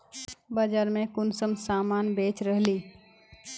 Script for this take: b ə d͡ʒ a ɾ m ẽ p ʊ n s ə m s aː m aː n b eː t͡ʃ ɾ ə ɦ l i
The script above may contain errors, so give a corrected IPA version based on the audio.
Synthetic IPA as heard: b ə d͡ʒ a ɾ m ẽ k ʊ n s ə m s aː m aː n b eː t͡ʃ ɾ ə ɦ l i